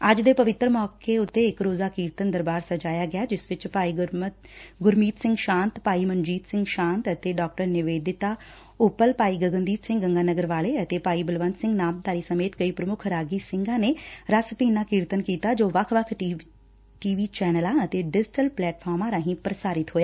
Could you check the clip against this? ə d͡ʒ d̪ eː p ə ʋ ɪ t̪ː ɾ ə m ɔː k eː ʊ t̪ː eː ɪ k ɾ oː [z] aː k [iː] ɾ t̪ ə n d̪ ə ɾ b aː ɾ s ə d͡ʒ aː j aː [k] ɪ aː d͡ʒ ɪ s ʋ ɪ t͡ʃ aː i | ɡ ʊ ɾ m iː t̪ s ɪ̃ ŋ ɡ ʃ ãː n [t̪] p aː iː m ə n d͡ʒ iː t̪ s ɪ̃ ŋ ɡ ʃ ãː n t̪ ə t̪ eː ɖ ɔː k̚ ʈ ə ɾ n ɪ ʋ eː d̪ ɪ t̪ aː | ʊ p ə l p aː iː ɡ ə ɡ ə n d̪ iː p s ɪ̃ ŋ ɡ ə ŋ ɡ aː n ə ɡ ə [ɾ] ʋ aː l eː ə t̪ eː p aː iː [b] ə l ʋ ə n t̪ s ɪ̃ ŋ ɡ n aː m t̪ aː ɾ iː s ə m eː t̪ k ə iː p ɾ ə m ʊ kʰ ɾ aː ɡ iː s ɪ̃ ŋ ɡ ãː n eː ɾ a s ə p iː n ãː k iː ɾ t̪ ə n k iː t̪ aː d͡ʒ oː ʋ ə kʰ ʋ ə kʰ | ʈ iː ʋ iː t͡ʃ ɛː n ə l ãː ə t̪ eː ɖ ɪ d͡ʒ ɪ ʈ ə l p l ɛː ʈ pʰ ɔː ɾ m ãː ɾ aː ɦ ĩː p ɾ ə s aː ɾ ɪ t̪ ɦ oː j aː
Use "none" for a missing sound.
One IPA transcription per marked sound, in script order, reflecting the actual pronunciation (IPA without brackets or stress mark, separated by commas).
z, iː, ɡ, t̪, ɾ, b